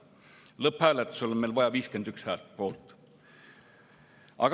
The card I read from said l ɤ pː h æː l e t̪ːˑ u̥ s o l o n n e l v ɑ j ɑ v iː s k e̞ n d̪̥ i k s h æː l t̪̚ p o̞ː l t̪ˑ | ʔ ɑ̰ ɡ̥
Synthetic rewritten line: l ɤ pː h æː l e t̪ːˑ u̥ s o l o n m e l v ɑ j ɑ v iː s k e̞ n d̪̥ y k s h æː l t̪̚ p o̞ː l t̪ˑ | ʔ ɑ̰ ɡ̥